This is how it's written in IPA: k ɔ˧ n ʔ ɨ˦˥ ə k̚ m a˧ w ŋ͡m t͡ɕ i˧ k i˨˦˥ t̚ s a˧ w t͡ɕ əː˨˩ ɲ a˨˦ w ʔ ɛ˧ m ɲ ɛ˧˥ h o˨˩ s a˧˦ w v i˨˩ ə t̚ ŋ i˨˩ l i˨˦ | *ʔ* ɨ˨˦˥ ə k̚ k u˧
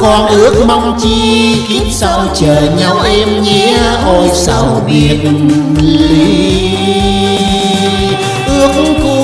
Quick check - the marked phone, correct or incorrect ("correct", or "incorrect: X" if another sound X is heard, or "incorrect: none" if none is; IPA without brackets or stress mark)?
correct